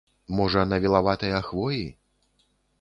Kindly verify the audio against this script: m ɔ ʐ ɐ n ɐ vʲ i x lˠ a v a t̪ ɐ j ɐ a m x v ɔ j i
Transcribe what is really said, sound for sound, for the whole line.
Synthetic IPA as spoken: m ɔ ʐ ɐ n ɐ vʲ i lˠ a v a t̪ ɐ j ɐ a x v ɔ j i